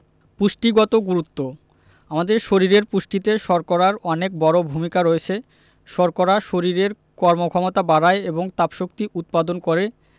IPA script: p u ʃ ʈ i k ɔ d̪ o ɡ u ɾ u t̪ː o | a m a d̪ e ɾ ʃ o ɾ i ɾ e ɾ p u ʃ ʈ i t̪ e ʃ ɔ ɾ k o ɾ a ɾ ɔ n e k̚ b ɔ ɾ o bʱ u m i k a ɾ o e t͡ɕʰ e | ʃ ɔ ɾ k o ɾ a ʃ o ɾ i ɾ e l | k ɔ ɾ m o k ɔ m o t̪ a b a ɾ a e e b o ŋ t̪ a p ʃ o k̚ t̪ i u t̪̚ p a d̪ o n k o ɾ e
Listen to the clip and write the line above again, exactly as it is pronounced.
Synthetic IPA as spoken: p u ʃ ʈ i ɡ ɔ t̪ o ɡ u ɾ u t̪ː o | a m a d̪ e ɾ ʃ o ɾ i ɾ e ɾ p u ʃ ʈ i t̪ e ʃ ɔ ɾ k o ɾ a ɾ ɔ n e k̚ b ɔ ɾ o bʱ u m i k a ɾ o e t͡ɕʰ e | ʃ ɔ ɾ k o ɾ a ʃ o ɾ i ɾ e ɾ | k ɔ ɾ m o kʰ ɔ m o t̪ a b a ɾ a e e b o ŋ t̪ a p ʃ o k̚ t̪ i u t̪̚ p a d̪ o n k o ɾ e